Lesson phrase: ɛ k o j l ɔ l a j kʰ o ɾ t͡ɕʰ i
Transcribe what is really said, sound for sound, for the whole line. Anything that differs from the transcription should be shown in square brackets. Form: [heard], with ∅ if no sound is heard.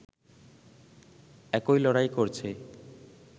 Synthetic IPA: ɛ k o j l ɔ [ɽ] a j [k] o ɾ t͡ɕʰ [e]

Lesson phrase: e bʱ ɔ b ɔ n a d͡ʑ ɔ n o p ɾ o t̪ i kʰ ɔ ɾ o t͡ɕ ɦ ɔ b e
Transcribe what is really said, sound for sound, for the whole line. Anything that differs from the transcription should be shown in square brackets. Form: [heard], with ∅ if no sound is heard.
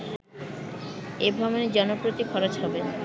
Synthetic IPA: e bʱ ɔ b [o] n [e] d͡ʑ ɔ n o p ɾ o t̪ i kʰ ɔ ɾ o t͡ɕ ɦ ɔ b e

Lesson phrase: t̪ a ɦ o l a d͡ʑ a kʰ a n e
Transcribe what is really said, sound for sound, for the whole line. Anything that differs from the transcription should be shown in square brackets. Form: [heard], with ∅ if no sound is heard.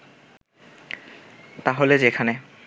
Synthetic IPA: t̪ a ɦ o l [e] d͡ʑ [e] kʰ a n e

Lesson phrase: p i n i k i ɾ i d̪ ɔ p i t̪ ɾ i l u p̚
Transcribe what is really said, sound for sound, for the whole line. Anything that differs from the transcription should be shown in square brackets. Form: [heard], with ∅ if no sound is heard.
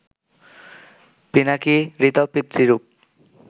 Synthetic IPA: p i n [a] k i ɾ i [t̪] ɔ p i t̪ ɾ i [ɾ] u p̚

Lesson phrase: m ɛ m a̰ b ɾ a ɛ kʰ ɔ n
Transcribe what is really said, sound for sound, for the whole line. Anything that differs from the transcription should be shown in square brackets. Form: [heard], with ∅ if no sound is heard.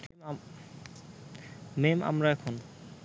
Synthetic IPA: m [e] m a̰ [m] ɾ a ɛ kʰ [o] n

